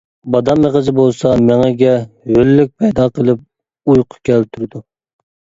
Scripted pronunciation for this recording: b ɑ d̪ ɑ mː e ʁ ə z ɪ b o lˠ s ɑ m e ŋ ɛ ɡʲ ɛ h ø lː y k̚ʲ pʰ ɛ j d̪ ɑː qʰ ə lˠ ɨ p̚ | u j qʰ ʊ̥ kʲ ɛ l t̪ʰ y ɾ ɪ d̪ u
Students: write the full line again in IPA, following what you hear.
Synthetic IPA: b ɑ d̪ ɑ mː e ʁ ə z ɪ b o lˠ s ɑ m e ŋ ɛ ɡʲ ɛ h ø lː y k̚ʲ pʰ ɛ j d̪ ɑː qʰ ə lˠ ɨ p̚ | u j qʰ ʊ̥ kʲ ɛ l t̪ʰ y ɾ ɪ d̪ u